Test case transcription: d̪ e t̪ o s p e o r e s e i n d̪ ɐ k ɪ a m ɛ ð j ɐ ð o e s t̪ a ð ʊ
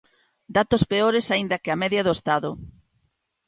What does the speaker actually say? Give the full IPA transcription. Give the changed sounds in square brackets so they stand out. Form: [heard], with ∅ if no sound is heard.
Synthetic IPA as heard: d̪ [a] t̪ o s p e o [ɾ] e s [a] i n d̪ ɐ k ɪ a m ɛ ð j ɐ ð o e s t̪ a ð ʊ